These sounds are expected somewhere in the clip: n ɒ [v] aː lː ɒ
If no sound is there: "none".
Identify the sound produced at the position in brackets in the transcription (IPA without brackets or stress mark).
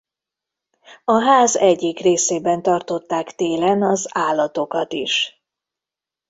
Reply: z